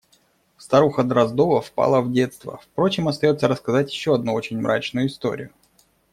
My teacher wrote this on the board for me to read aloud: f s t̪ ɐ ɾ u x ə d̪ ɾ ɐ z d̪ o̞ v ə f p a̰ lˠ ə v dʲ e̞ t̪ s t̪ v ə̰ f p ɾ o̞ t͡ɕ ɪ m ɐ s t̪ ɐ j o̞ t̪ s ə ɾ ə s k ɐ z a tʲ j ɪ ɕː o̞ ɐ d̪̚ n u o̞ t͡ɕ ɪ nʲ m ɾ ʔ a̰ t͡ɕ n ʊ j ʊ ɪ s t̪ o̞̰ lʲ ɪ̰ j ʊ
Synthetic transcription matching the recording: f s t̪ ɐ ɾ u x ə d̪ ɾ ɐ z d̪ o̞ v ə f p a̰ lˠ ə v dʲ e̞ t̪ s t̪ v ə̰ f p ɾ o̞ t͡ɕ ɪ m ɐ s t̪ ɐ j o̞ t̪ s ə ɾ ə s k ɐ z a tʲ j ɪ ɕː o̞ ɐ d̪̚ n u o̞ t͡ɕ ɪ nʲ m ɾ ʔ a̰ t͡ɕ n ʊ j ʊ ɪ s t̪ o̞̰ ɾʲ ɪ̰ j ʊ